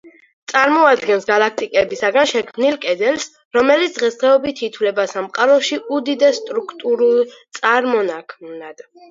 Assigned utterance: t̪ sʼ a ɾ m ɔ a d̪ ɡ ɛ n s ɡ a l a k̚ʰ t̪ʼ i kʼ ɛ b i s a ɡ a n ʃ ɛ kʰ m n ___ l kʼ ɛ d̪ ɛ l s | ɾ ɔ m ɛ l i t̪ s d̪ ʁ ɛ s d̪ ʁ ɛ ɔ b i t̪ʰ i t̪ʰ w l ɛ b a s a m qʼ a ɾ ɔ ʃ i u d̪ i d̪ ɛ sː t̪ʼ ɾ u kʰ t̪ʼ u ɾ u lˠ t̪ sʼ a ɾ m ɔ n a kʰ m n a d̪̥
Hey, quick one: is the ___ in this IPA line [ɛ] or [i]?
i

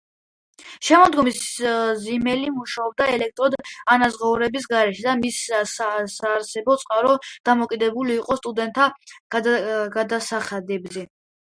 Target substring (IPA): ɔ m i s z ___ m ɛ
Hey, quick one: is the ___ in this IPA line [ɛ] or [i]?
i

